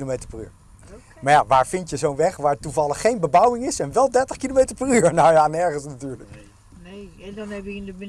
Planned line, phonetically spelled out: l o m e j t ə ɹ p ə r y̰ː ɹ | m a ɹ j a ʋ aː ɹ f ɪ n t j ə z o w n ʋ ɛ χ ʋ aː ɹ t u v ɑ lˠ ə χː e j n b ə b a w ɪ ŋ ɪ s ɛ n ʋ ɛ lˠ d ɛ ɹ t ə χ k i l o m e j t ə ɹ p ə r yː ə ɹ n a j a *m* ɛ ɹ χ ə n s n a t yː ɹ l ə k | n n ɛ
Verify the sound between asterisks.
incorrect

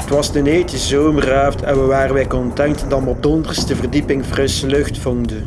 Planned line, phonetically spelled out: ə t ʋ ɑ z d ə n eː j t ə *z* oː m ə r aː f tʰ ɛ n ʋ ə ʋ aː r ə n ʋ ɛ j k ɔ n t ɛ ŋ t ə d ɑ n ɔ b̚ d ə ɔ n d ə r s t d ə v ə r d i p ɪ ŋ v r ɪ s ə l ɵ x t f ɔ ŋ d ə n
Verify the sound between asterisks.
correct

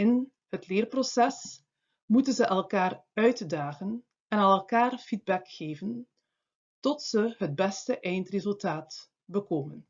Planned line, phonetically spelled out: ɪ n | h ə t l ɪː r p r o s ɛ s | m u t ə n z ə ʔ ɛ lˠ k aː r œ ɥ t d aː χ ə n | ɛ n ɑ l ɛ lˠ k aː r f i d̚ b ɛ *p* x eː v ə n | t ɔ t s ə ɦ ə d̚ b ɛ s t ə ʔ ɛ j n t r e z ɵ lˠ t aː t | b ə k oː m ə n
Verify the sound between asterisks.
incorrect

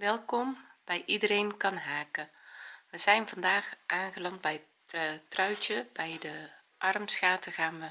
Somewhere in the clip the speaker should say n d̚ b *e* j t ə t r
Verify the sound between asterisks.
incorrect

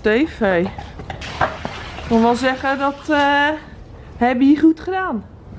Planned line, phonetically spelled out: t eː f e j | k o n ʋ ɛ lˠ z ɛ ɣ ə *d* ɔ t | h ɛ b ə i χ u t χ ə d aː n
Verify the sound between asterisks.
correct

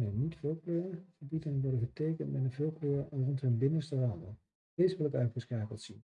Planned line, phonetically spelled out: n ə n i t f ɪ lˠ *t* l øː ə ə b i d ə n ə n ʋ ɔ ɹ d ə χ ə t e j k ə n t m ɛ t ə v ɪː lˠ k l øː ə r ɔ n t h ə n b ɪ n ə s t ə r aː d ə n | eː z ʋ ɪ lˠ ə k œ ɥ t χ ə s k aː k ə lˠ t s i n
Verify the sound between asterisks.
incorrect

